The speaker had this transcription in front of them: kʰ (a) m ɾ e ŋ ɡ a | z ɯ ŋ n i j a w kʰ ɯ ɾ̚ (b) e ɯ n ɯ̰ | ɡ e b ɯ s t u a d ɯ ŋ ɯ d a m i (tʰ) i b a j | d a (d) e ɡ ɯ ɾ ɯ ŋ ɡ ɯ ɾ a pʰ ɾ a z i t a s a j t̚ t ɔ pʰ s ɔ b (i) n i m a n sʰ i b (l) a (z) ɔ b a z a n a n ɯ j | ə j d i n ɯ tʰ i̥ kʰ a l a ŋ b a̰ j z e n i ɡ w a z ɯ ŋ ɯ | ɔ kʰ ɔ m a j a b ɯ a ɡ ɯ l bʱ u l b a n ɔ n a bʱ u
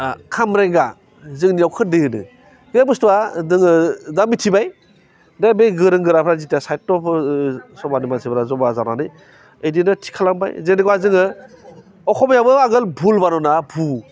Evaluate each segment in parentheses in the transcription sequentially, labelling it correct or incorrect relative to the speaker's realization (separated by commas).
correct, incorrect, correct, incorrect, incorrect, incorrect, correct